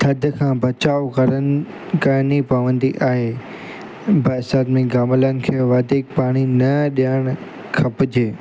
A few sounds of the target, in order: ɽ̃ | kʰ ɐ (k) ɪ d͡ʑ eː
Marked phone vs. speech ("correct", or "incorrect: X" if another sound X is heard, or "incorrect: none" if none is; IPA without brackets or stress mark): incorrect: p